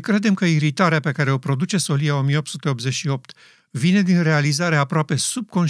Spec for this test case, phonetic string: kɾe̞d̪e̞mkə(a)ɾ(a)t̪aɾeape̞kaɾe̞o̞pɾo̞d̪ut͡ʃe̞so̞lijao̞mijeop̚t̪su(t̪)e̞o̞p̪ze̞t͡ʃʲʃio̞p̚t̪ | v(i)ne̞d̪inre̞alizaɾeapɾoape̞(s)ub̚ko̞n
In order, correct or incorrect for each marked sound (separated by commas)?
incorrect, incorrect, correct, correct, correct